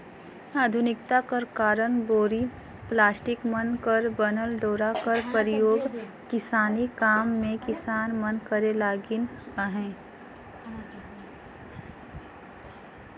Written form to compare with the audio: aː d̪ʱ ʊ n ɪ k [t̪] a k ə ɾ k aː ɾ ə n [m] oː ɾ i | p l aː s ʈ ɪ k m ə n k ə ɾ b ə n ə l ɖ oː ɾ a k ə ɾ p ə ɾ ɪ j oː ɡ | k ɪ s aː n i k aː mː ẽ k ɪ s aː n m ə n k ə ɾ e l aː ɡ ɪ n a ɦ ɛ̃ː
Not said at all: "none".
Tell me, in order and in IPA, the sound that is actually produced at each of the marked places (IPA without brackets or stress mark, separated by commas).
t̪, b